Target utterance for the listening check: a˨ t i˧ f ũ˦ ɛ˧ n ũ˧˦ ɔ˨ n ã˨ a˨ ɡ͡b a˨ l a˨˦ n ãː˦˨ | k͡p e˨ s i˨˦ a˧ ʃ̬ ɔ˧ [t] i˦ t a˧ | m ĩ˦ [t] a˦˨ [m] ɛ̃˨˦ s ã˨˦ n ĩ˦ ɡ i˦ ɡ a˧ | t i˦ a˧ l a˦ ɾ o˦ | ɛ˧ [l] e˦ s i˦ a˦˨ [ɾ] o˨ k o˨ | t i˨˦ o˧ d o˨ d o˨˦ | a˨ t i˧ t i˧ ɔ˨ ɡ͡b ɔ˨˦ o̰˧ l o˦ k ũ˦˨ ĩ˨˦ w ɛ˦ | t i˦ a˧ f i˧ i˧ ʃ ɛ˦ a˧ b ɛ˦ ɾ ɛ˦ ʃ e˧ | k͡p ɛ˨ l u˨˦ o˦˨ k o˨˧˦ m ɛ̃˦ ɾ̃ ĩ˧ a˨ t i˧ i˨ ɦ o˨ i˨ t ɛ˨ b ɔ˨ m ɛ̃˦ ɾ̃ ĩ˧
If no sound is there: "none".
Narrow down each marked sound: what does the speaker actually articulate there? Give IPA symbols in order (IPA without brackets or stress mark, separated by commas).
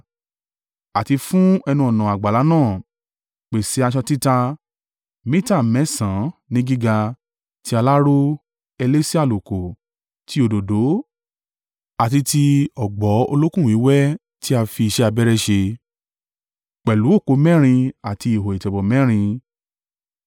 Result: t, t, m, l, l